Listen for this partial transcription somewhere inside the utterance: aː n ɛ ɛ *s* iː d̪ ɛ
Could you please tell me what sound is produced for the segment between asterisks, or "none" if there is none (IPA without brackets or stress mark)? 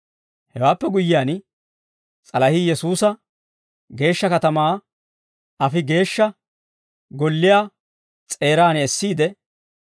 sː